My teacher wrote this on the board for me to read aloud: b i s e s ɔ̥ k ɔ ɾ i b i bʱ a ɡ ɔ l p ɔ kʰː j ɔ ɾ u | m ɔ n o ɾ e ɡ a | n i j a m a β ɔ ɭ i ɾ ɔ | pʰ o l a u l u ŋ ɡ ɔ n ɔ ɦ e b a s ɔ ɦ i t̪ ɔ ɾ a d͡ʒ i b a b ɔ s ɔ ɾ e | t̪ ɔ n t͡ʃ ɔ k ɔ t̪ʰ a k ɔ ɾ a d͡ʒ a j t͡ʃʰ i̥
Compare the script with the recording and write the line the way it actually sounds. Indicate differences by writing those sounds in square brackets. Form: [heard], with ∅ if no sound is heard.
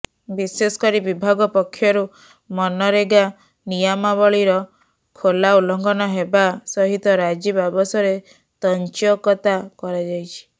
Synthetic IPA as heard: b i s e s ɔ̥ k ɔ ɾ i b i bʱ a ɡ ɔ [∅] p ɔ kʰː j ɔ ɾ u | m ɔ n [ɔ] ɾ e ɡ a | n i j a m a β ɔ ɭ i ɾ ɔ | [kʰ] o l a u l [ɔ] ŋ ɡ ɔ n ɔ ɦ e b a s ɔ ɦ i t̪ ɔ ɾ a d͡ʒ i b a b ɔ s ɔ ɾ e | t̪ ɔ n t͡ʃ ɔ k ɔ [t̪] a k ɔ ɾ a d͡ʒ a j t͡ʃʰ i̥